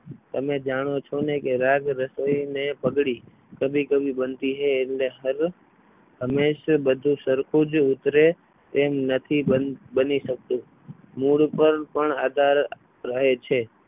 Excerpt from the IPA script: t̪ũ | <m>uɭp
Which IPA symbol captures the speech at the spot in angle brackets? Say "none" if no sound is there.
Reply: m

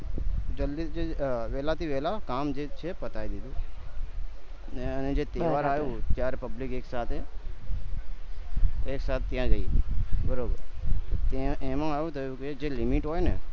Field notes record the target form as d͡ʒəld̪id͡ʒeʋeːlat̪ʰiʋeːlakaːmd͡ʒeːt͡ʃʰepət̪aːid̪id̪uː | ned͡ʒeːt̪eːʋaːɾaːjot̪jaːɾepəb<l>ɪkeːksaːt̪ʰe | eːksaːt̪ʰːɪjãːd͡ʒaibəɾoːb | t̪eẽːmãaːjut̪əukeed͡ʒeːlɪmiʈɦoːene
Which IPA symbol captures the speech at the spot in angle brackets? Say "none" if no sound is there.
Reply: l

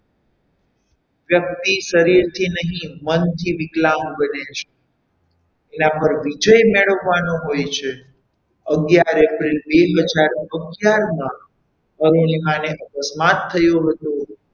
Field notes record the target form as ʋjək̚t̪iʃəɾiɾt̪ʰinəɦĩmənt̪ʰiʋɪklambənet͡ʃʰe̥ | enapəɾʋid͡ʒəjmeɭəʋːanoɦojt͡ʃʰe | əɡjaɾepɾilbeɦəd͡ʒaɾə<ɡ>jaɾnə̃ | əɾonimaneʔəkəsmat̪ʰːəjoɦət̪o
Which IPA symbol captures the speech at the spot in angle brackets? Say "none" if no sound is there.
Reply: ɡ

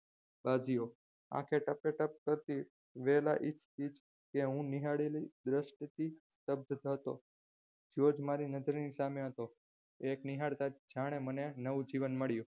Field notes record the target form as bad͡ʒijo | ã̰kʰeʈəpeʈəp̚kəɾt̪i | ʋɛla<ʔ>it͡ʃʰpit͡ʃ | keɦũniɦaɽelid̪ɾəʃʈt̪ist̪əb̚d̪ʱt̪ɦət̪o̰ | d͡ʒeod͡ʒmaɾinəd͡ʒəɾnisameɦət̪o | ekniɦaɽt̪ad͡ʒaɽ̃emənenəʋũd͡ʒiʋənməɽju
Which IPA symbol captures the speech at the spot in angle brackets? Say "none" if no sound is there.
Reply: ʔ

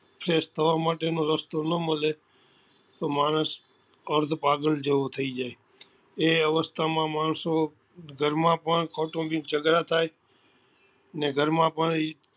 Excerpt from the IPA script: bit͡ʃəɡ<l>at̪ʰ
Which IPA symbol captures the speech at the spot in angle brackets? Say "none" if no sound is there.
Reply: ɾ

